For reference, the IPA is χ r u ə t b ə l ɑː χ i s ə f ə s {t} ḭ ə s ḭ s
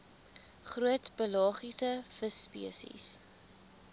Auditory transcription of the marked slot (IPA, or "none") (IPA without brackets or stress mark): p